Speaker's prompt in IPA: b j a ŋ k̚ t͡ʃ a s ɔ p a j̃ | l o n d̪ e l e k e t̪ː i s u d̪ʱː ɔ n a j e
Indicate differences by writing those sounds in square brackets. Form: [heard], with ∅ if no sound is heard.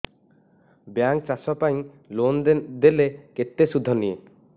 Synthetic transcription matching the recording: b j a ŋ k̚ t͡ʃ a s ɔ p a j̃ | l o n d̪ e l e k e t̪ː [e] s u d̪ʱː ɔ n [i] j e